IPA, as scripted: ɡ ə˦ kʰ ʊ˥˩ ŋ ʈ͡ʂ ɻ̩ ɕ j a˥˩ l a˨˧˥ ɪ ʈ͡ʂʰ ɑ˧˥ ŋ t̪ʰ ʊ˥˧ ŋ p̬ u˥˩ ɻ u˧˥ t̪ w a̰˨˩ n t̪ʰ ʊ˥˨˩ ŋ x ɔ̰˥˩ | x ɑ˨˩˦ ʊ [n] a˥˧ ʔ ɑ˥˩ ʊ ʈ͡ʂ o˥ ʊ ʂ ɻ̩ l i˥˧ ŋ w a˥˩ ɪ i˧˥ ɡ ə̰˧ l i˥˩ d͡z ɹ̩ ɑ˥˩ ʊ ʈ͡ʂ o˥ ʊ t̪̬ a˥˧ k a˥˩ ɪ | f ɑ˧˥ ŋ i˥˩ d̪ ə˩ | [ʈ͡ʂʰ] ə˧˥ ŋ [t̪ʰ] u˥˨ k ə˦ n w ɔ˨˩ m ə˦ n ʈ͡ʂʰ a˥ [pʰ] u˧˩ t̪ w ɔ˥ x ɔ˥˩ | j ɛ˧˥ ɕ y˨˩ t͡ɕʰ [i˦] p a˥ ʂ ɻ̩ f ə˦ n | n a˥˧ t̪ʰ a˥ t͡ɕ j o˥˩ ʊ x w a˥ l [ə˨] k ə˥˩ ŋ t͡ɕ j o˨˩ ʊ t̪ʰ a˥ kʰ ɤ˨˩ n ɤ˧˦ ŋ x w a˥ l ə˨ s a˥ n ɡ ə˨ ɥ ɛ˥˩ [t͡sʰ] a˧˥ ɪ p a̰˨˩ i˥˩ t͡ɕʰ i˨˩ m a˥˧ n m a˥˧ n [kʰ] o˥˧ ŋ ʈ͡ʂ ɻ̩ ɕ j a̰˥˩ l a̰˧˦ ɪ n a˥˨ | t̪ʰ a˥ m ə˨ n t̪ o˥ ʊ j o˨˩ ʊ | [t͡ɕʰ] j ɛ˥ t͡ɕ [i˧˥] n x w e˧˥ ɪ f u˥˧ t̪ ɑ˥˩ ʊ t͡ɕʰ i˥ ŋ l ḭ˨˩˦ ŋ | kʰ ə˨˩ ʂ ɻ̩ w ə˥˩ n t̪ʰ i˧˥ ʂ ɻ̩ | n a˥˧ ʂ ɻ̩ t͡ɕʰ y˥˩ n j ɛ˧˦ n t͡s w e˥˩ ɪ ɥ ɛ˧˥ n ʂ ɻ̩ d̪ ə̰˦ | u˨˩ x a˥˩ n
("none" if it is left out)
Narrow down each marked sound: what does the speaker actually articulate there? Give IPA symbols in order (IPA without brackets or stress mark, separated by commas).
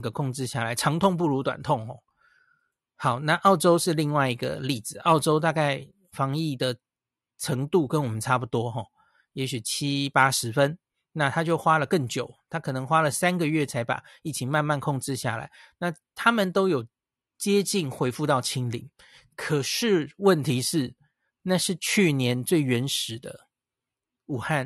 n, ʈ͡ʂʰ, t̪, p, i˦, ə˨, t͡sʰ, kʰ, t͡ɕ, i˥˩